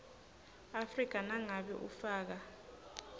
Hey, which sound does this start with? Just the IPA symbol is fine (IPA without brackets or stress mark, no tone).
a